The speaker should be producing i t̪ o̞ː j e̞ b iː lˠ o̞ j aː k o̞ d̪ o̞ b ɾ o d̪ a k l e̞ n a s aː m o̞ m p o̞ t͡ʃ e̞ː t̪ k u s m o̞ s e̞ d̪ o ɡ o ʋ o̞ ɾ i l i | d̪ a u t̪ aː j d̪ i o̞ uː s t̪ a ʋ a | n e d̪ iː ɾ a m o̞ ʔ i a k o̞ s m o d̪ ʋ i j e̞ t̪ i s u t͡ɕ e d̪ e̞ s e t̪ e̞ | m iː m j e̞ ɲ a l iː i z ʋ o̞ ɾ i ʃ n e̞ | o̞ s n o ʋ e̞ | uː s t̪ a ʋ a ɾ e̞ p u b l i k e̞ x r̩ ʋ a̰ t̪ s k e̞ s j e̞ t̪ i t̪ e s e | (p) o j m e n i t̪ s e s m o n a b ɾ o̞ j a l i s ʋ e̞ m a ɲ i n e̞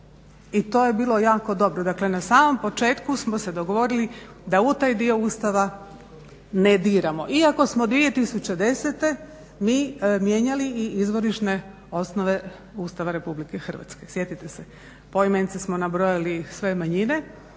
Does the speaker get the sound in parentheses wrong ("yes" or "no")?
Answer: no